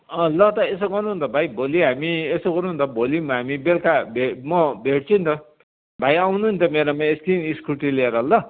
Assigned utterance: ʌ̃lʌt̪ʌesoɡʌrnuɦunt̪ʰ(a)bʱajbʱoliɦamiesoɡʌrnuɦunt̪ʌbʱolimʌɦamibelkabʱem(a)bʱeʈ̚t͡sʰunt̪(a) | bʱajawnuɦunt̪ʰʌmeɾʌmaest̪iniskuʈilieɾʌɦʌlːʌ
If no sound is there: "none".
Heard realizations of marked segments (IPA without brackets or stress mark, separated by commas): ʌ, ʌ, ʌ